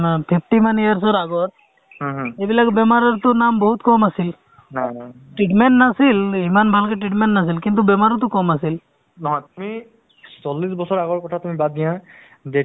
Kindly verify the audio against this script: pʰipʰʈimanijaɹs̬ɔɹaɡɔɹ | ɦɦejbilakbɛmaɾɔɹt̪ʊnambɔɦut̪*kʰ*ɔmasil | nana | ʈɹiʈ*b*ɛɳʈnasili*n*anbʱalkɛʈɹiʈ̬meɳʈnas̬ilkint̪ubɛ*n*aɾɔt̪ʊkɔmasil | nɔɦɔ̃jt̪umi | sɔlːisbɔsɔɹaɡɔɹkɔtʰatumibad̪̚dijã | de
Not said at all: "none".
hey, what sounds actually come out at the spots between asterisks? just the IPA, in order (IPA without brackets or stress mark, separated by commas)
k, m, m, m